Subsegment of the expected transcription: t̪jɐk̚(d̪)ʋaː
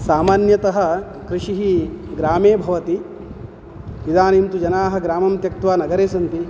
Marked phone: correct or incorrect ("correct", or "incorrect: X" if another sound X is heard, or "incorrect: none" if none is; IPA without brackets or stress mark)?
incorrect: t̪